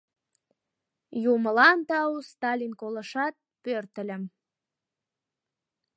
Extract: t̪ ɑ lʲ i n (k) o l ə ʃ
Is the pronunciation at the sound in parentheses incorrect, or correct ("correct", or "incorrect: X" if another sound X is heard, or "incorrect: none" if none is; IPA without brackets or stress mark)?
correct